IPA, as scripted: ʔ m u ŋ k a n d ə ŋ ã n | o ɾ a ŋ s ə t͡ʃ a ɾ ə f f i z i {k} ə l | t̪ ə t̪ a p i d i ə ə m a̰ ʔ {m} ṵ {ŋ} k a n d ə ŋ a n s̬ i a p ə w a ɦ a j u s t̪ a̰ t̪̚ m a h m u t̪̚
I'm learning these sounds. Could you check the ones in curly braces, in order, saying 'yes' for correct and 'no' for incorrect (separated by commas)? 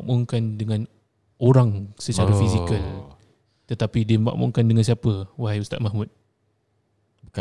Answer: yes, yes, yes